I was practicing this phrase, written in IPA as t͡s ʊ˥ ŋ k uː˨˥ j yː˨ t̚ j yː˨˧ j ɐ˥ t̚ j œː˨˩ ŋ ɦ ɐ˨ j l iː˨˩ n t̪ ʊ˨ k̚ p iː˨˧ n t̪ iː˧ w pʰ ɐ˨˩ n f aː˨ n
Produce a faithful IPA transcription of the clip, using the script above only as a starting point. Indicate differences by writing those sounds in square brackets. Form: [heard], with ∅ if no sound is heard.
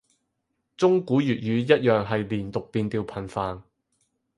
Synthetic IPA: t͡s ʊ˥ ŋ k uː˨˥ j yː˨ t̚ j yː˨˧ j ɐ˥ t̚ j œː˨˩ ŋ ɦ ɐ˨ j l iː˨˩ n t̪ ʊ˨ k̚ p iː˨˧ n t̪ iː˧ w pʰ ɐ˨˩ n f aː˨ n